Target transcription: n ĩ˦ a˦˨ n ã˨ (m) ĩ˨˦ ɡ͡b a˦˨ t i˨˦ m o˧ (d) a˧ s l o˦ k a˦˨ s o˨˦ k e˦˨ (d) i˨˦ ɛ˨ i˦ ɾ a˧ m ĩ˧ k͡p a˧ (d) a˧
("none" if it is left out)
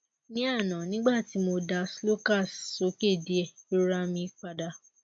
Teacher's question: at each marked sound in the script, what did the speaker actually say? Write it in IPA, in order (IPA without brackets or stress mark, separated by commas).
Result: n, d, d, d